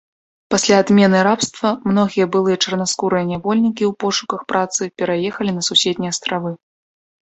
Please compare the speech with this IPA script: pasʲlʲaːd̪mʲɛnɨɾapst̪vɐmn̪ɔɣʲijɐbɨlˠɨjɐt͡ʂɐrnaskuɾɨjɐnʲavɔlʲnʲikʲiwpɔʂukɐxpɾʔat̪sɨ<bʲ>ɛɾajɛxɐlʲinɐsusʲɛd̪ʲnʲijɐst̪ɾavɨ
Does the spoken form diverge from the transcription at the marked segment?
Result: yes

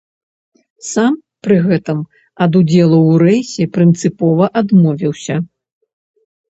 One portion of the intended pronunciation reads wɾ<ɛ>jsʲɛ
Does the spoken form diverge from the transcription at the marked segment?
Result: no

